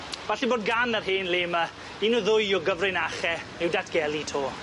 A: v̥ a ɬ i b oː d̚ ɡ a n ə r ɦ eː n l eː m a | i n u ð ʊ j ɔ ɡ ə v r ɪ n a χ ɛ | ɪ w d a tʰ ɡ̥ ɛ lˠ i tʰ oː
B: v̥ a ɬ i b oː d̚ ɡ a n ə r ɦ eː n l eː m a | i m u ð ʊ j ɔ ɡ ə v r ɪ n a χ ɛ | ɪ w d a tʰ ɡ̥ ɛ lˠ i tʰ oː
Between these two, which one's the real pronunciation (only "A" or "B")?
A